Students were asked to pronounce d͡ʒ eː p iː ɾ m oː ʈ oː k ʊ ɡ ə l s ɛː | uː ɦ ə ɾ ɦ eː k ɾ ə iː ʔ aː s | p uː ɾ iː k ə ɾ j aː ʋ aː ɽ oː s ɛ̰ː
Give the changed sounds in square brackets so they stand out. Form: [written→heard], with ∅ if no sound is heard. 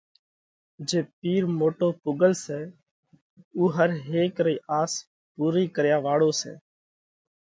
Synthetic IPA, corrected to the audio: d͡ʒ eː p iː ɾ m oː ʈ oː [k→p] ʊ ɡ ə l s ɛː | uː ɦ ə ɾ ɦ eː k ɾ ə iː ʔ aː s | p uː ɾ iː k ə ɾ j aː ʋ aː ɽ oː s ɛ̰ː

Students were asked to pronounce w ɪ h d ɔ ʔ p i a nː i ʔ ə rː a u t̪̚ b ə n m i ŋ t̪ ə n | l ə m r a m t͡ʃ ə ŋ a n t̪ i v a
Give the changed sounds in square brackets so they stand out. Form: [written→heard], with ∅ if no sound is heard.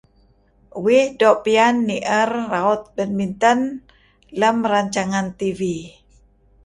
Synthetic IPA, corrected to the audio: w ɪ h d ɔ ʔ p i a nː i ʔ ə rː a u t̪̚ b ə n m i [ŋ→n] t̪ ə n | l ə m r a [m→ɲ] t͡ʃ [ə→a] ŋ a n t̪ i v [a→i]

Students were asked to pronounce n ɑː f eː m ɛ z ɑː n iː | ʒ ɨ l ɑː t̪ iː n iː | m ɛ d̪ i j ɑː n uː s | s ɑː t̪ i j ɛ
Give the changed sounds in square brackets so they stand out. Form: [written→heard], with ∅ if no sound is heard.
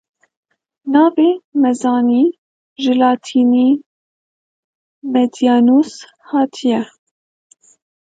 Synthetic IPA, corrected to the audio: n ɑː [f→v] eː m ɛ z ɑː n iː | ʒ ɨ l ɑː [t̪→t̪ʰ] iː n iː | m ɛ d̪ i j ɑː n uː s | [s→h] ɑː [t̪→t̪ʰ] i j ɛ

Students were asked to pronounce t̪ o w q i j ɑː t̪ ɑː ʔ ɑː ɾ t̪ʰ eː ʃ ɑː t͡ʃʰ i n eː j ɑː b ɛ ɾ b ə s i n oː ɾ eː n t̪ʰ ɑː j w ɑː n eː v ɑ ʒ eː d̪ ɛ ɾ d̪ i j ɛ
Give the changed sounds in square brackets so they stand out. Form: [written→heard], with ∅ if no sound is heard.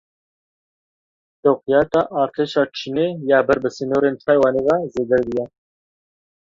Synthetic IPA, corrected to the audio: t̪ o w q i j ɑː t̪ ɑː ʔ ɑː ɾ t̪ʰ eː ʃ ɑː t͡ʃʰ i n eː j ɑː b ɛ ɾ b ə s i n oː ɾ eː n t̪ʰ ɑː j w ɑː n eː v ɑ [ʒ→z] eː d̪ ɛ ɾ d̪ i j ɛ

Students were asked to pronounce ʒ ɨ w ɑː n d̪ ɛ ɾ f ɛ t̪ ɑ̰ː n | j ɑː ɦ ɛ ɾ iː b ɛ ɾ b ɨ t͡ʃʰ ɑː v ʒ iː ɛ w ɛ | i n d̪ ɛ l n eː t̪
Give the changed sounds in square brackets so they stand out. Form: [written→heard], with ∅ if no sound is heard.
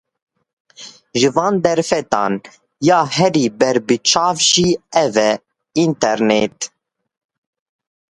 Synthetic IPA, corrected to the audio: ʒ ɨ [w→v] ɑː n d̪ ɛ ɾ f ɛ t̪ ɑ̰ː n | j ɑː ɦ ɛ ɾ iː b ɛ ɾ b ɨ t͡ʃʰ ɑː v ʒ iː ɛ [w→v] ɛ | i n [d̪→t̪] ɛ [l→ɾ] n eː t̪

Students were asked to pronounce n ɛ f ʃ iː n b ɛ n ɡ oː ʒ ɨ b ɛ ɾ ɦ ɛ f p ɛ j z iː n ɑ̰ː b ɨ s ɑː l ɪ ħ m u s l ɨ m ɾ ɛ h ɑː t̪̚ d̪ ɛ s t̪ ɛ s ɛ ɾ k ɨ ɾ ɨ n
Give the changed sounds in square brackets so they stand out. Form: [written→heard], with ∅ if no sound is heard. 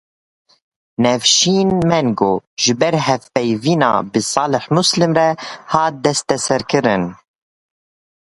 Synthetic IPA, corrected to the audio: n ɛ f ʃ iː n [b→m] ɛ n ɡ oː ʒ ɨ b ɛ ɾ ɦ ɛ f p ɛ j [z→v] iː n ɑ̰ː b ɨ s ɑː l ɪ ħ m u s l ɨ m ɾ ɛ h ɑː t̪̚ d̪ ɛ s t̪ ɛ s ɛ ɾ k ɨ ɾ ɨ n

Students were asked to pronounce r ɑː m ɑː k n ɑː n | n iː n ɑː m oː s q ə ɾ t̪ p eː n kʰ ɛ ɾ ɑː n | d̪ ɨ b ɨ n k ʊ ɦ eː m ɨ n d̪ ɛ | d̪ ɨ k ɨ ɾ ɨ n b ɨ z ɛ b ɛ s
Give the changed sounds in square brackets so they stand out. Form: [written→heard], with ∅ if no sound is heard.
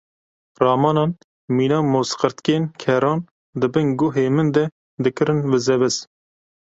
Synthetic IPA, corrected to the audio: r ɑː m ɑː [k→∅] n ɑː n | [n→m] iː n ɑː m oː s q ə ɾ t̪ [p→k] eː n kʰ ɛ ɾ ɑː n | d̪ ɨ b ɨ n [k→ɡ] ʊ ɦ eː m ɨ n d̪ ɛ | d̪ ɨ k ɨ ɾ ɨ n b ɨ z ɛ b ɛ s

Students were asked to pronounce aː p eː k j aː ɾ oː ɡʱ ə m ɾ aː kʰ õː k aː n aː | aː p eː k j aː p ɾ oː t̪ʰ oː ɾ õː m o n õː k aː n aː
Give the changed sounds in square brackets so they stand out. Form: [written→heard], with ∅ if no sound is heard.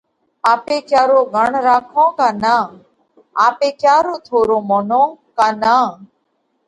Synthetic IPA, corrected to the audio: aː p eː k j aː ɾ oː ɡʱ ə [m→ɳ] ɾ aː kʰ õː k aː n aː | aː p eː k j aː [p→∅] ɾ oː t̪ʰ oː ɾ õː m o n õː k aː n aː

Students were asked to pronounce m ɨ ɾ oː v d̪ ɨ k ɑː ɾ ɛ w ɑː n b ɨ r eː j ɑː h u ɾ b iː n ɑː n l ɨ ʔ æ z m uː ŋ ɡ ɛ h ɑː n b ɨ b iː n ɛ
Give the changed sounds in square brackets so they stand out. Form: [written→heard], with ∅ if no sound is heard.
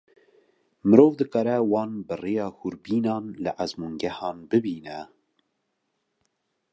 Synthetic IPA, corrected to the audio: m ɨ ɾ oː v d̪ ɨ k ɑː ɾ ɛ w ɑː n b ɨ r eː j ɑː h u ɾ b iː n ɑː n l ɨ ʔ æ z m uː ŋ ɡ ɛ h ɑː n b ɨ b iː n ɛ

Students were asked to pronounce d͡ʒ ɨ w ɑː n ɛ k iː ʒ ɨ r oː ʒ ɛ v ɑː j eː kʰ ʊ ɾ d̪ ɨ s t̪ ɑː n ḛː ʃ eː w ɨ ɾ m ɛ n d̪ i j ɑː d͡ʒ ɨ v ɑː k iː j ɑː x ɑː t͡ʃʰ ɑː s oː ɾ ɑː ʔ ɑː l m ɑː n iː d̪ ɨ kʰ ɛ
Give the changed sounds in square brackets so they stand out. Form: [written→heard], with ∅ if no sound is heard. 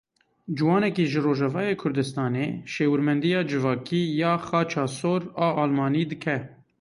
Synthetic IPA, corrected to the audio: d͡ʒ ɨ w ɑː n ɛ k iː ʒ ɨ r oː ʒ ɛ v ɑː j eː kʰ ʊ ɾ d̪ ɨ s t̪ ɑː n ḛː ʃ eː w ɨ ɾ m ɛ n d̪ i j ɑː d͡ʒ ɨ v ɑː k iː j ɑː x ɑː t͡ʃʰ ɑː s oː ɾ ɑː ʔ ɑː l m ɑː n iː d̪ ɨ kʰ ɛ

